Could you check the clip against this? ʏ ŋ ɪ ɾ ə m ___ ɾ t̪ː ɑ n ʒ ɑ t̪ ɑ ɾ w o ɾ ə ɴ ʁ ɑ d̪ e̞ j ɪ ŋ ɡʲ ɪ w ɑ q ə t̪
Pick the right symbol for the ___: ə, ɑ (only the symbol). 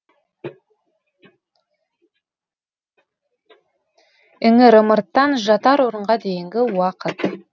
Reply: ə